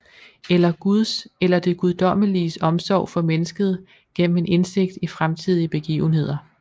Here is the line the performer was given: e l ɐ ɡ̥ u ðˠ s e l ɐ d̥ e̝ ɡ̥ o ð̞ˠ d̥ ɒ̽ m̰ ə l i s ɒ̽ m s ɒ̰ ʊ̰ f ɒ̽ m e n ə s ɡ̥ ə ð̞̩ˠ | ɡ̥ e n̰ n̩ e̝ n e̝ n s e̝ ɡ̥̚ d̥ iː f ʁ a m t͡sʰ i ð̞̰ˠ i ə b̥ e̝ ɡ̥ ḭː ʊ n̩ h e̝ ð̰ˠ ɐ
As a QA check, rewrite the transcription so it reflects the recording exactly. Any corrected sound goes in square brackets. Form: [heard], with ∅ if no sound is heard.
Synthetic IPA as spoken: e l ɐ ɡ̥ u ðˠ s e l ɐ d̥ e̝ ɡ̥ [u] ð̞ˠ d̥ ɒ̽ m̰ ə l i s ɒ̽ m s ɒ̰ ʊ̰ f ɒ̽ m e n ə s ɡ̥ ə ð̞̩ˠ | ɡ̥ e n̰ [m̩] e̝ n e̝ n s e̝ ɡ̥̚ d̥ [i] f ʁ a m t͡sʰ i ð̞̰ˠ i ə b̥ e̝ ɡ̥ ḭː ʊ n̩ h e̝ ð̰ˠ ɐ